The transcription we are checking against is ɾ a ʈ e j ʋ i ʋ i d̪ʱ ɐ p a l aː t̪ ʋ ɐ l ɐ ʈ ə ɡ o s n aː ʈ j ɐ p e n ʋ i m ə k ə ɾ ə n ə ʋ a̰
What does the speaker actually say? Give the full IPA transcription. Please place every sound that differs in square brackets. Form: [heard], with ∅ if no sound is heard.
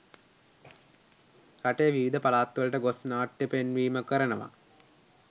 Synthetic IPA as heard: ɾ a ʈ e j ʋ i ʋ i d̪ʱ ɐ p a l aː t̪ ʋ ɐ l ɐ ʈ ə ɡ o s n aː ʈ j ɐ p e n ʋ [iː] m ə k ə ɾ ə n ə ʋ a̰